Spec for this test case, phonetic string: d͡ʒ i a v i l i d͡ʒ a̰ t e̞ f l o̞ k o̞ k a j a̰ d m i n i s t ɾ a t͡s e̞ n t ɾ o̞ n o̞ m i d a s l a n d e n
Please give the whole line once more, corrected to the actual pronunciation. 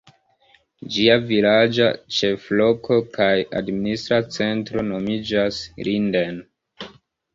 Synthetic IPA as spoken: d͡ʒ i a v i l a d͡ʒ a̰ t͡ʃ e̞ f l o̞ k o̞ k a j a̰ d m i n i s t ɾ a t͡s e̞ n t ɾ o̞ n o̞ m i d͡ʒ a s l i n d e n

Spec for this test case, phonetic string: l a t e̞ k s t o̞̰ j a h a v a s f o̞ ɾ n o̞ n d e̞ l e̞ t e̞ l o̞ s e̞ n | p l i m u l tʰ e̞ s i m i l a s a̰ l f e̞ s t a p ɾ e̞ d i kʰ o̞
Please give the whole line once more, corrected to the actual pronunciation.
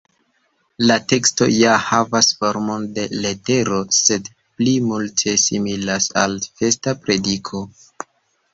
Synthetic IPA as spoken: l a t e̞ k s t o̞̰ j a h a v a s f o̞ ɾ m o̞ n d e̞ l e̞ t e̞ ɾ o̞ s e̞ d | p l i m u l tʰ e̞ s i m i l a s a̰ l f e̞ s t a p ɾ e̞ d i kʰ o̞

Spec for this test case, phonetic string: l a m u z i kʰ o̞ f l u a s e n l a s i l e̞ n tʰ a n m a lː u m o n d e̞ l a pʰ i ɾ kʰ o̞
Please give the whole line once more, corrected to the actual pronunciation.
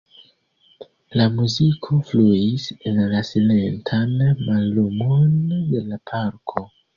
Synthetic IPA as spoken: l a m u z i kʰ o̞ f l u i s e n l a s i l e̞ n tʰ a n m a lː u m o n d e̞ l a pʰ a ɾ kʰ o̞

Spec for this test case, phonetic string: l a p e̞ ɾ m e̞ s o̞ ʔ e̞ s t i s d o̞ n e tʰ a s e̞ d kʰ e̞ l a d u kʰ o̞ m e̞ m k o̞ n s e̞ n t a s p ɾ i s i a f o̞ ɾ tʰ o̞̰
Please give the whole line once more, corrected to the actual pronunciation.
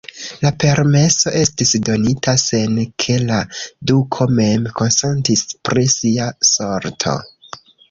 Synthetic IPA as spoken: l a p e̞ ɾ m e̞ s o̞ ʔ e̞ s t i s d o̞ n i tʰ a s e̞ n kʰ e̞ l a d u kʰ o̞ m e̞ m k o̞ n s e̞ n t i s p ɾ i s i a s o̞ ɾ tʰ o̞̰

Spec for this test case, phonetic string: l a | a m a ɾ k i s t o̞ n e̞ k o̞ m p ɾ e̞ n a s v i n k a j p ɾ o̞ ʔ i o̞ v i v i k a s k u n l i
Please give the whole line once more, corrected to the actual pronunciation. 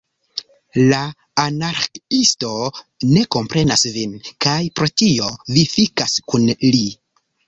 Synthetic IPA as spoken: l a | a n a ɾ k i s t o̞ n e̞ k o̞ m p ɾ e̞ n a s v i n k a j p ɾ o̞ t i o̞ v i f i k a s k u n l i

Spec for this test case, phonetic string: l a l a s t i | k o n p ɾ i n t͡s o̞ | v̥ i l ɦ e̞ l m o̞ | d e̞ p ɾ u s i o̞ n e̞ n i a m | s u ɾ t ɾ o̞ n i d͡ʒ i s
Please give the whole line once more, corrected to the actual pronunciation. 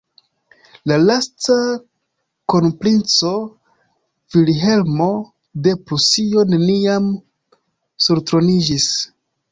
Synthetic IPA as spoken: l a l a s t a | k o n p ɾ i n t͡s o̞ | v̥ i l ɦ e̞ l m o̞ | d e̞ p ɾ u s i o̞ n e̞ n i a m | s u ɾ t ɾ o̞ n i d͡ʒ i s

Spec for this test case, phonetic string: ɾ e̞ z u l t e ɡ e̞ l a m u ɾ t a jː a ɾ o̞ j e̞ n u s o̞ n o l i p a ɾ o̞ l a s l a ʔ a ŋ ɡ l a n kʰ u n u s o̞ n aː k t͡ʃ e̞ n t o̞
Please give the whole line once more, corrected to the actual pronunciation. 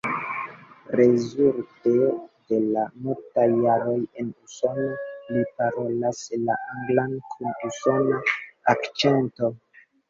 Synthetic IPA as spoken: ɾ e̞ z u l t e d e̞ l a m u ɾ t a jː a ɾ o̞ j e̞ n u s o̞ n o l i p a ɾ o̞ l a s l a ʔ a ŋ ɡ l a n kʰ u n u s o̞ n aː k t͡ʃ e̞ n t o̞

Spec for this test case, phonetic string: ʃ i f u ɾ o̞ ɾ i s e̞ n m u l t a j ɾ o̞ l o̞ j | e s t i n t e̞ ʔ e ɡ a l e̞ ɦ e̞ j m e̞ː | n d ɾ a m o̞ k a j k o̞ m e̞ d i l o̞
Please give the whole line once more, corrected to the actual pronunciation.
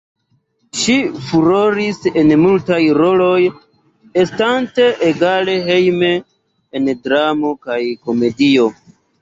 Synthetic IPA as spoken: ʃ i f u ɾ o̞ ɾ i s e̞ n m u l t a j ɾ o̞ l o̞ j | e s t a n t e̞ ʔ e ɡ a l e̞ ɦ e̞ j m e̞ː | n d ɾ a m o̞ k a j k o̞ m e̞ d i o̞

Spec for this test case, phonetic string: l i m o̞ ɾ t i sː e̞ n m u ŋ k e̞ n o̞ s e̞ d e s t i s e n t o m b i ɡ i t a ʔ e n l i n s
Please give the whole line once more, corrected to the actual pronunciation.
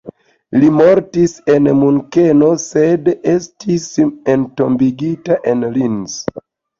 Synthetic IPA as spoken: l i m o̞ ɾ t i s e̞ n m u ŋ k e̞ n o̞ s e̞ d e s t i s e n t o m b i ɡ i t a ʔ e n l i n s

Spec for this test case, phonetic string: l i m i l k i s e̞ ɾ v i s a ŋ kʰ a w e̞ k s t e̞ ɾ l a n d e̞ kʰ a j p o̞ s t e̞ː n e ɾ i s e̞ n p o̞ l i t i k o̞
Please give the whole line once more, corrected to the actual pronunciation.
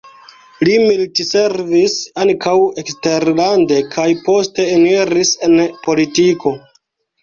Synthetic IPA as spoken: l i m i l t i s e̞ ɾ v i s a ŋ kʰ a w e̞ k s t e̞ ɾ l a n d e̞ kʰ a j p o̞ s t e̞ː n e ɾ i s e̞ n p o̞ l i t i k o̞

